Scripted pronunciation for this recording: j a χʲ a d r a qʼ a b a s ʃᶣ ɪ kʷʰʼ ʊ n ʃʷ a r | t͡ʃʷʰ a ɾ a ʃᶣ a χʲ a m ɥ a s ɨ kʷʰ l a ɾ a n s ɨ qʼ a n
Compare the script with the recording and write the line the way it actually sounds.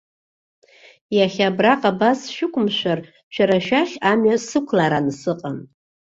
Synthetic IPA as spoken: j a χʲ a b r a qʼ a b a s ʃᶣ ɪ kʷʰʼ ʊ m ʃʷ a r | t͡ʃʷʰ a ɾ a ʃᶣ a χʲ a m ɥ a s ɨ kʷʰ l a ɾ a n s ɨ qʼ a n